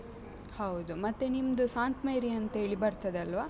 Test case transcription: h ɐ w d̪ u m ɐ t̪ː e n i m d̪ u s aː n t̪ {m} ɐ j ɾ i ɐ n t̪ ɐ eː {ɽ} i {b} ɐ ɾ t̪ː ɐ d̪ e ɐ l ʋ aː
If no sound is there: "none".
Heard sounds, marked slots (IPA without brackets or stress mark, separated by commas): m, ɭ, b